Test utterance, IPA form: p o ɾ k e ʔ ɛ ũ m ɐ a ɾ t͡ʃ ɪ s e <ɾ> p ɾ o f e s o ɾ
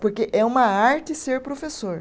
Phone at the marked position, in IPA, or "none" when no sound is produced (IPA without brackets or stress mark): ɾ